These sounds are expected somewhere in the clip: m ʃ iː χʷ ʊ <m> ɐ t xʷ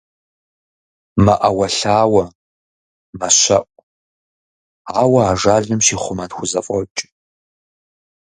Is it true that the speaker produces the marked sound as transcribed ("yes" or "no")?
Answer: yes